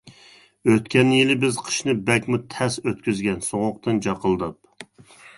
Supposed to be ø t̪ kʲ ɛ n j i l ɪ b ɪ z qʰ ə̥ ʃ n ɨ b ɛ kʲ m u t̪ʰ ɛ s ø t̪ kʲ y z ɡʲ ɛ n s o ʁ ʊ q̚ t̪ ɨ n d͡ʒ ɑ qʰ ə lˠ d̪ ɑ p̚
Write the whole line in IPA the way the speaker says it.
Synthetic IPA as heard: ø t̪ kʲ ɛ n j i l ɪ b ɪ z qʰ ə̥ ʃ n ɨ b ɛ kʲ m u t̪ʰ ɛ s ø t̪ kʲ y z ɡʲ ɛ n s o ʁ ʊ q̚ t̪ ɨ n d͡ʒ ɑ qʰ ə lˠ d̪ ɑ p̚

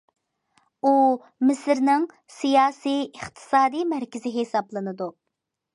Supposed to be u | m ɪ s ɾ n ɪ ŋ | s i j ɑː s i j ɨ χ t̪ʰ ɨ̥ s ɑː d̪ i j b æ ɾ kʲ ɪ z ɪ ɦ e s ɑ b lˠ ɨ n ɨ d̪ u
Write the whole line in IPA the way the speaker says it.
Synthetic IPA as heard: u | m ɪ s ɾ n ɪ ŋ | s i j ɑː s i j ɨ χ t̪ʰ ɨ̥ s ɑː d̪ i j m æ ɾ kʲ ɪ z ɪ ɦ e s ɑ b lˠ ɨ n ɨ d̪ u

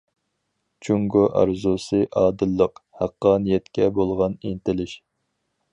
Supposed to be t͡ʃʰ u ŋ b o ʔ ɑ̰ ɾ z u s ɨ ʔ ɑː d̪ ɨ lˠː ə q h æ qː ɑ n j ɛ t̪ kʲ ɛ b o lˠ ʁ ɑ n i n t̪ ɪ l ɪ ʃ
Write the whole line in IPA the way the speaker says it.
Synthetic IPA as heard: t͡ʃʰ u ŋ ɡ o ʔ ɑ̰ ɾ z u s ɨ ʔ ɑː d̪ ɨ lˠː ə q h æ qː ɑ n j ɛ t̪ kʲ ɛ b o lˠ ʁ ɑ n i n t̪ ɪ l ɪ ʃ

